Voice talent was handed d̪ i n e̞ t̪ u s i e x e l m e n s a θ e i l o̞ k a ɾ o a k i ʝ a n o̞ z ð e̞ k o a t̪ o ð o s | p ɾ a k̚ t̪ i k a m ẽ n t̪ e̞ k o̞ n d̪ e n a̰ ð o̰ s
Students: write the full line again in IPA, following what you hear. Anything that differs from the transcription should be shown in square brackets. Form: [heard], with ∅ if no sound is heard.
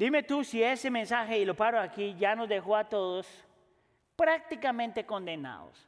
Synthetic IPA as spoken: d̪ i [m] e̞ t̪ u s i e [s] e [∅] m e n s a [x] e i l o̞ [p] a ɾ o a k i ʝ a n o̞ z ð e̞ [x] o a t̪ o ð o s | p ɾ a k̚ t̪ i k a m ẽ n t̪ e̞ k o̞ n d̪ e n a̰ ð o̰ s